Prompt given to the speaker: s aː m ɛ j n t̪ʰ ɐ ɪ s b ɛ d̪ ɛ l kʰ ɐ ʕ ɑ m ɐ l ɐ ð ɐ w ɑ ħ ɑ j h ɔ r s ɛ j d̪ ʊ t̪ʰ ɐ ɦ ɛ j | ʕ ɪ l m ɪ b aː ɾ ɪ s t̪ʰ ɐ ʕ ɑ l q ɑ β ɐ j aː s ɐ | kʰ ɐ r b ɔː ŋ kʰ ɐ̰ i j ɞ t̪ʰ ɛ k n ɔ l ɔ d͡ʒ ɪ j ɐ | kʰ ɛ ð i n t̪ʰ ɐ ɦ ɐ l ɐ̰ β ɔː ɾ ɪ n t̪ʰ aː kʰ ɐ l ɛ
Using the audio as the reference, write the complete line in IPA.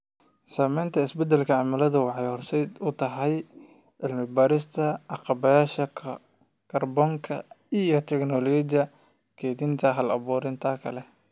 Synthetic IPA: s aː m ɛ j n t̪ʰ ɐ ɪ s b ɛ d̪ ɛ l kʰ ɐ ʕ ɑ m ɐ l ɐ ð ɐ w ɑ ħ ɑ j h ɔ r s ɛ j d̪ ʊ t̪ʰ ɐ ɦ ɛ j | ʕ ɪ l m ɪ b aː ɾ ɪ s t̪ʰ ɐ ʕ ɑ q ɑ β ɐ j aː ʃ ɐ | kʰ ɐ r b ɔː ŋ kʰ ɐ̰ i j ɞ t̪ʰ ɛ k n ɔ l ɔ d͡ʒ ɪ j ɐ | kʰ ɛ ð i n t̪ʰ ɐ ɦ ɐ l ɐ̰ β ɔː ɾ ɪ n t̪ʰ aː kʰ ɐ l ɛ

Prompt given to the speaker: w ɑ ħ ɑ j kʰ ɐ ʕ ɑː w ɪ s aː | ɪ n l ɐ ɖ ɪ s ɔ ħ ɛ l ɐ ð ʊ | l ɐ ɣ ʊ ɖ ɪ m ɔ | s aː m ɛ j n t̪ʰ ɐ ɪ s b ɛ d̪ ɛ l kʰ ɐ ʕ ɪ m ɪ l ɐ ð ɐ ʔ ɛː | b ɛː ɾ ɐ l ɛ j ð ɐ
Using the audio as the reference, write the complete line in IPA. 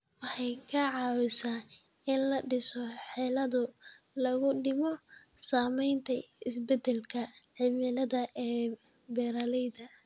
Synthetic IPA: w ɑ ħ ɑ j kʰ ɐ ʕ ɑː w ɪ s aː | ɪ n l ɐ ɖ ɪ s ɔ ħ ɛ l ɐ ð ʊ | l ɐ ɣ ʊ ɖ ɪ m ɔ | s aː m ɛ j n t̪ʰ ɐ ɪ s b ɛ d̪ ɛ l kʰ ɐ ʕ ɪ m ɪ l ɐ ð ɐ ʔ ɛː | b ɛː ɾ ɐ l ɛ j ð ɐ

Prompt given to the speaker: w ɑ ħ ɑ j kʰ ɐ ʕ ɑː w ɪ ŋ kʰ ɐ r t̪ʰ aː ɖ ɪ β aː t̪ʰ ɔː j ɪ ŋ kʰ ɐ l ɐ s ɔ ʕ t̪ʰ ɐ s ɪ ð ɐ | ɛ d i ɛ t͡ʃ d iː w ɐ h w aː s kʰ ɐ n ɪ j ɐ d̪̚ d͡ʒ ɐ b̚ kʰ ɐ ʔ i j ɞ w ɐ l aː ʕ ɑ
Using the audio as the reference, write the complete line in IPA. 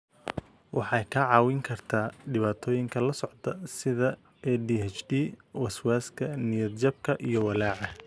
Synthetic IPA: w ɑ ħ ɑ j kʰ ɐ ʕ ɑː w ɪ ŋ kʰ ɐ r t̪ʰ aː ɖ ɪ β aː t̪ʰ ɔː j ɪ ŋ kʰ ɐ l ɐ s ɔ ʕ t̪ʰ ɐ s ɪ ð ɐ | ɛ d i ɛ t͡ʃ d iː w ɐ s w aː s kʰ ɐ n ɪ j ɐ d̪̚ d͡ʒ ɐ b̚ kʰ ɐ ʔ i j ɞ w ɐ l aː ʕ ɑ

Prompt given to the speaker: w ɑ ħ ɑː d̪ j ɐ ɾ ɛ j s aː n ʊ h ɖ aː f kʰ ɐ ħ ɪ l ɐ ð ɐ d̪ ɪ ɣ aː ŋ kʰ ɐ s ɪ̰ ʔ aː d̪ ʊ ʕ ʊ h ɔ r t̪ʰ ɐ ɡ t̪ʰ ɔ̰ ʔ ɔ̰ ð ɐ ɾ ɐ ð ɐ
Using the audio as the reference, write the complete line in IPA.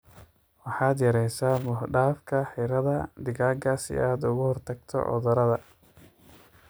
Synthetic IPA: w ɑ ħ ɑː d̪ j ɐ ɾ ɛ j s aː m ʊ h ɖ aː f kʰ ɐ ħ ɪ ɾ ɐ ð ɐ d̪ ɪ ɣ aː ŋ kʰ ɐ s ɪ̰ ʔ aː d̪ ʊ ɣ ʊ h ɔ r t̪ʰ ɐ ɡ t̪ʰ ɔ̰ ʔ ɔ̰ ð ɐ ɾ ɐ ð ɐ

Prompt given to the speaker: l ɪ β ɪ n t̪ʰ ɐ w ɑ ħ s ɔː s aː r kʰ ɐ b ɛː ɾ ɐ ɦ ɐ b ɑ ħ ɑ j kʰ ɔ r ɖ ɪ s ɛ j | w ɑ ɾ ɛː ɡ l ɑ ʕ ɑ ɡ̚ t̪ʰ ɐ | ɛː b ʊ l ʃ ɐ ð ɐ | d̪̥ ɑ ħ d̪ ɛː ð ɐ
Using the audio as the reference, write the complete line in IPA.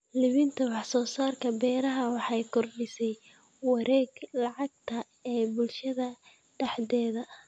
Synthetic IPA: l ɪ β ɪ n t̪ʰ ɐ w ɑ ħ s ɔː s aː r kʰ ɐ b ɛː ɾ ɐ ɦ ɐ w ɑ ħ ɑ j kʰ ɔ r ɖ ɪ s ɛ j | w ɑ ɾ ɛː ɡ l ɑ ʕ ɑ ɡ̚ t̪ʰ ɐ | ɛː b ʊ l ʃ ɐ ð ɐ | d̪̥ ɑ ħ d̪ ɛː ð ɐ

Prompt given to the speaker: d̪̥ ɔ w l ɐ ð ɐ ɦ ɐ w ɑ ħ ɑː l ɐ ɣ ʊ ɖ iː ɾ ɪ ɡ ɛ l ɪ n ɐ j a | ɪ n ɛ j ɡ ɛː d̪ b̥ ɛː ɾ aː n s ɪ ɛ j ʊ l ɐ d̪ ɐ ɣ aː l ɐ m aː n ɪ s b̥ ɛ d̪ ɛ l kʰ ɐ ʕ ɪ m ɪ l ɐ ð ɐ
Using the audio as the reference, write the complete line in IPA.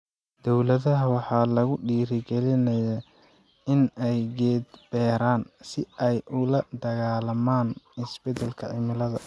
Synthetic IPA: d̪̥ ɔ w l ɐ ð ɐ ɦ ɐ w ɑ ħ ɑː l ɐ ɣ ʊ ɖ iː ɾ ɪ ɡ ɛ l ɪ n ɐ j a | ɪ n ɛ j ɡ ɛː d̪ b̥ ɛː ɾ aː n s ɪ ɛ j ʊ l ɐ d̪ ɐ ɣ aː l ɐ m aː n ɪ s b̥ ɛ d̪ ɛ l kʰ ɐ ʕ ɪ m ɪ l ɐ ð ɐ

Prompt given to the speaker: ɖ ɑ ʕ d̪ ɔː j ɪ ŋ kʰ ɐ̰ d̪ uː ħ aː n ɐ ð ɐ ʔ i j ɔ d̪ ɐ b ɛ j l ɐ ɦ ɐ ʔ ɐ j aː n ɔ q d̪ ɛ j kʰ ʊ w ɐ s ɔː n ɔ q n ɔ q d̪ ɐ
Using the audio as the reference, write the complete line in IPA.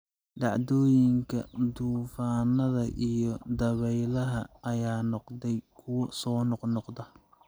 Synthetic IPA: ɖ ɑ ʕ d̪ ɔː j ɪ ŋ kʰ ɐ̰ d̪ uː f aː n ɐ ð ɐ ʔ i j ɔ d̪ ɐ β ɛ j l ɐ ɦ ɐ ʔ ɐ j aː n ɔ q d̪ ɛ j kʰ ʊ w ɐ s ɔː n ɔ q n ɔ q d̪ ɐ

